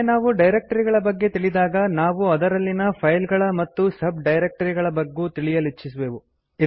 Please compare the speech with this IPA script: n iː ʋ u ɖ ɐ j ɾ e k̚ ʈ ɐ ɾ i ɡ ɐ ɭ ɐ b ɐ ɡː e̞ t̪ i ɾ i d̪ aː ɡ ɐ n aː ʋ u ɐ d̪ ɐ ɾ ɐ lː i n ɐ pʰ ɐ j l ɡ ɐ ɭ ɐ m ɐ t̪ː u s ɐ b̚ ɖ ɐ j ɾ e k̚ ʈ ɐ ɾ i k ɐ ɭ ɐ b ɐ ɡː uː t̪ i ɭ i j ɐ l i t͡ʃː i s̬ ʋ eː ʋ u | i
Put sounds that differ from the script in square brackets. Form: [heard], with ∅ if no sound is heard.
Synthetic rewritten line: n [aː] ʋ u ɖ ɐ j ɾ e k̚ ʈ ɐ ɾ i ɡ ɐ ɭ ɐ b ɐ ɡː e̞ t̪ i [ɭ] i d̪ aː ɡ ɐ n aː ʋ u ɐ d̪ ɐ ɾ ɐ lː i n ɐ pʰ ɐ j l ɡ ɐ ɭ ɐ m ɐ t̪ː u s ɐ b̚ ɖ ɐ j ɾ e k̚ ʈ ɐ ɾ i [ɡ] ɐ ɭ ɐ b ɐ ɡː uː t̪ i ɭ i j ɐ l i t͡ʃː i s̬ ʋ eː ʋ u | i

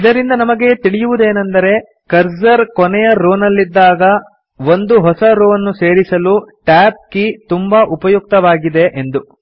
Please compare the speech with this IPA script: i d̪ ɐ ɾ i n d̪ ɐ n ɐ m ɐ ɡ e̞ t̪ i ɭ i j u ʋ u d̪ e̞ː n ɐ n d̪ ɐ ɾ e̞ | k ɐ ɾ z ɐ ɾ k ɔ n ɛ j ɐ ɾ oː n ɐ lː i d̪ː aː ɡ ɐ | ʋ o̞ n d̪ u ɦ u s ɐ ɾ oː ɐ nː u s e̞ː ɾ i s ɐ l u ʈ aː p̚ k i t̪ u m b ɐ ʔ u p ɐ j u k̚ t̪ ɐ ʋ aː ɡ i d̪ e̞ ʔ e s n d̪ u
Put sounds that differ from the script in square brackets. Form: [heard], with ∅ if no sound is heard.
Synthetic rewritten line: i d̪ ɐ ɾ i n d̪ ɐ n ɐ m ɐ ɡ e̞ t̪ i ɭ i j u ʋ u d̪ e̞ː n ɐ n d̪ ɐ ɾ e̞ | k ɐ ɾ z ɐ ɾ k ɔ n ɛ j ɐ ɾ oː n ɐ lː i d̪ː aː ɡ ɐ | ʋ o̞ n d̪ u ɦ [ɔ] s ɐ ɾ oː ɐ nː u s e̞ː ɾ i s ɐ l u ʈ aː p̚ k i t̪ u m b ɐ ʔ u p ɐ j u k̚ t̪ ɐ ʋ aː ɡ i d̪ e̞ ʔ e [∅] n d̪ u

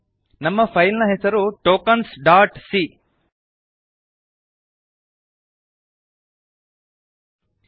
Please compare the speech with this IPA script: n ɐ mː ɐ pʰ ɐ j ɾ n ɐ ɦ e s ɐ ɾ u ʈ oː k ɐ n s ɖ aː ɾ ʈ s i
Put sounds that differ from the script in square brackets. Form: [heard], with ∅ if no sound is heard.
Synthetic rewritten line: n ɐ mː ɐ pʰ ɐ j [l] n ɐ ɦ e s ɐ ɾ u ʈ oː k ɐ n s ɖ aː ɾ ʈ s i

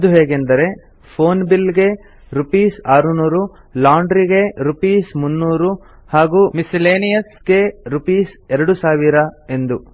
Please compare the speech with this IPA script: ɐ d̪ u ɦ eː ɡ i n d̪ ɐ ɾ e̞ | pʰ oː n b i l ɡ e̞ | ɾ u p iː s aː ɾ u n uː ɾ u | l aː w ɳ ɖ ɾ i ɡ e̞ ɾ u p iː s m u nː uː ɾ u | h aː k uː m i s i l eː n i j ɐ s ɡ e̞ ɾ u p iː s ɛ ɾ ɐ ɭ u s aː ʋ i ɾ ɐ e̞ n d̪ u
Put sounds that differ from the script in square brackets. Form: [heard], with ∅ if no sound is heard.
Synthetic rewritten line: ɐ d̪ u ɦ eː ɡ [e] n d̪ ɐ ɾ e̞ | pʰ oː n b i l ɡ e̞ | ɾ u p iː s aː ɾ u n uː ɾ u | l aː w ɳ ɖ ɾ i ɡ e̞ ɾ u p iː s m u nː uː ɾ u | h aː [ɡ] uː m i s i l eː n i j ɐ s ɡ e̞ ɾ u p iː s ɛ ɾ ɐ [ɽ] u s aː ʋ i ɾ ɐ e̞ n d̪ u

